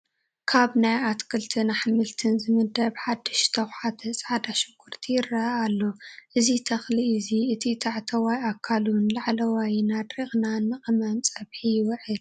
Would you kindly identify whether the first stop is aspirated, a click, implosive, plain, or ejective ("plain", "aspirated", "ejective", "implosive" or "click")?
aspirated